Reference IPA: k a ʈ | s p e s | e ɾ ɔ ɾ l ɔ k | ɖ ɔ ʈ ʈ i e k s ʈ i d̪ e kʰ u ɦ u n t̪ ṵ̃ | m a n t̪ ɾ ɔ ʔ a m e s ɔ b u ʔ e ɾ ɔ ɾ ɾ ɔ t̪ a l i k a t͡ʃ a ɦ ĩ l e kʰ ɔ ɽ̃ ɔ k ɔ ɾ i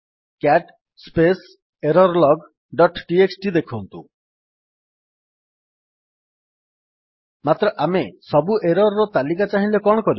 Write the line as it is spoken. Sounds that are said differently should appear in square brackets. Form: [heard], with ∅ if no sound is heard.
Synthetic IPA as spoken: k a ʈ | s p e s | e ɾ ɔ ɾ l ɔ [ɡ] | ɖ ɔ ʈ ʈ i e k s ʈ i d̪ e kʰ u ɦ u n t̪ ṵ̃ | m a [∅] t̪ ɾ ɔ ʔ a m e s ɔ b u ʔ e ɾ ɔ ɾ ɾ ɔ t̪ a l i k a t͡ʃ a ɦ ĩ l e [k] ɔ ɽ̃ ɔ k ɔ ɾ i